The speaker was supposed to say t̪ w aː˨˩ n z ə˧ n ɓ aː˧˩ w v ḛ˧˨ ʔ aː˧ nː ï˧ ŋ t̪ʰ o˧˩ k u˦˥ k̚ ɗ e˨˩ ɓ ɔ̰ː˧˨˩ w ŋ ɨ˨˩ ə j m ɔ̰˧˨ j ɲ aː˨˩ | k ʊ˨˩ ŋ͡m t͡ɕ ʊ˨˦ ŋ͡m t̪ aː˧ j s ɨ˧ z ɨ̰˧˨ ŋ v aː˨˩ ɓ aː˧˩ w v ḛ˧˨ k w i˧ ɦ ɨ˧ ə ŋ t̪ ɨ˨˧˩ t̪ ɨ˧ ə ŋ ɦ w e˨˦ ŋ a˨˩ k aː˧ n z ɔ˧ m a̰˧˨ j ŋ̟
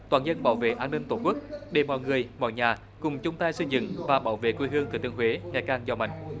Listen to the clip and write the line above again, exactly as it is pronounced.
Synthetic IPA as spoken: t̪ w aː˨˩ n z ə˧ n ɓ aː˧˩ w v ḛ˧˨ ʔ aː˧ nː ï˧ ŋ t̪ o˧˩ k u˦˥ k̚ ɗ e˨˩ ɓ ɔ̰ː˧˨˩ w ŋ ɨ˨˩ ə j m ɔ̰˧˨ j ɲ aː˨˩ | k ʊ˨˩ ŋ͡m t͡ɕ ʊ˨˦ ŋ͡m t̪ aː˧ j s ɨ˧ z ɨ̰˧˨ ŋ v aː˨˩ ɓ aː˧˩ w v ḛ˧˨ k w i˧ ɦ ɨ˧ ə ŋ t̪ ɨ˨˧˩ t̪ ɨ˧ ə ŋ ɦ w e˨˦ ŋ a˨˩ k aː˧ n z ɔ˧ m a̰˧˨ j ŋ̟